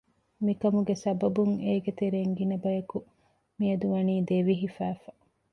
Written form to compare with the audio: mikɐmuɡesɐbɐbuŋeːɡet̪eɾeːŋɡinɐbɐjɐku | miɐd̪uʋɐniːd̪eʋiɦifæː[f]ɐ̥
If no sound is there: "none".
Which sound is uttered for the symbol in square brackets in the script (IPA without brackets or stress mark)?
f